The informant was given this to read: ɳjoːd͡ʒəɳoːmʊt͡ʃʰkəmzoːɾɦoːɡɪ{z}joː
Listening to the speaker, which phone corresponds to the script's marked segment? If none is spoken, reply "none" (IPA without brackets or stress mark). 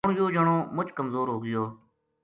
none